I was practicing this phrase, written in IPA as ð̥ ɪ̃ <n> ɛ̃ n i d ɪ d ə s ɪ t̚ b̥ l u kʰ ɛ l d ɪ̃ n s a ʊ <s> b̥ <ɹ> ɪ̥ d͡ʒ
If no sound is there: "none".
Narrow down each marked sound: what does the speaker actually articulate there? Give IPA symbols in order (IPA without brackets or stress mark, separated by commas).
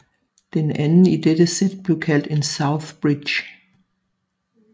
n, θ, ɹ